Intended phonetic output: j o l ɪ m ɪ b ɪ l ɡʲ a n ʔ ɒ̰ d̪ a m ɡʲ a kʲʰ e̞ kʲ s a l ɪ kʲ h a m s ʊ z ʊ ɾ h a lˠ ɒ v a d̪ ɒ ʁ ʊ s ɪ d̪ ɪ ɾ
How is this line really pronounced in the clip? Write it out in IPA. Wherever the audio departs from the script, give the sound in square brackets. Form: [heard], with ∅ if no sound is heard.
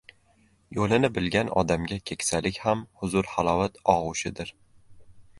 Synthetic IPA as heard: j o l ɪ [n] ɪ b ɪ l ɡʲ a n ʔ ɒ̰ d̪ a m ɡʲ a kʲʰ e̞ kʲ s a l ɪ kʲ h a m [h] ʊ z ʊ ɾ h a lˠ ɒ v a [t̪] ɒ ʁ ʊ [ʃ] ɪ d̪ ɪ ɾ